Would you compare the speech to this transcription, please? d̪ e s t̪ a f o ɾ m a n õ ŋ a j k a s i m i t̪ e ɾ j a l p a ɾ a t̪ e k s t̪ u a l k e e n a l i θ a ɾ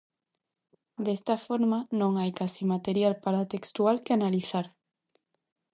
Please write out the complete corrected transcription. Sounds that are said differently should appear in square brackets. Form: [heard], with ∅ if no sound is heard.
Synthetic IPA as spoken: d̪ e s t̪ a f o ɾ m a n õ ŋ a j k a s i m [a] t̪ e ɾ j a l p a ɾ a t̪ e k s t̪ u a l k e [a] n a l i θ a ɾ